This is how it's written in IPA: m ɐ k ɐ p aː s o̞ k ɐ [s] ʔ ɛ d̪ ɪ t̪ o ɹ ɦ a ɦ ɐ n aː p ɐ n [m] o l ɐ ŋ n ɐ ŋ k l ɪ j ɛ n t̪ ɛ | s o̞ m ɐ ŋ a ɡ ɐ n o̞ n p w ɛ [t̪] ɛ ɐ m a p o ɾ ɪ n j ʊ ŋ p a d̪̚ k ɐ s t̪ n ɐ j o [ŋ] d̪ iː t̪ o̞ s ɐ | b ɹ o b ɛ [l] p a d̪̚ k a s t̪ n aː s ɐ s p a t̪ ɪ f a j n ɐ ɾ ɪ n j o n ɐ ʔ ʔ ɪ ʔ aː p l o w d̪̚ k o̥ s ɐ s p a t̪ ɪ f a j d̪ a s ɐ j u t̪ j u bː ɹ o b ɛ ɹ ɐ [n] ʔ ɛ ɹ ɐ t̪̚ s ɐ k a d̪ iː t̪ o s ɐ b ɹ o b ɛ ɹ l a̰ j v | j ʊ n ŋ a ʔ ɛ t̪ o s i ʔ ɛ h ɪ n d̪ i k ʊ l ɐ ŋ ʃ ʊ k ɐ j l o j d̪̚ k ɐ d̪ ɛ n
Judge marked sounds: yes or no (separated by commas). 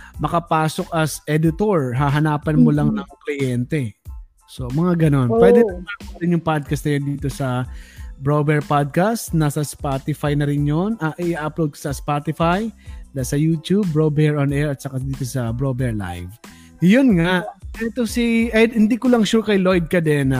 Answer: yes, yes, no, no, no, yes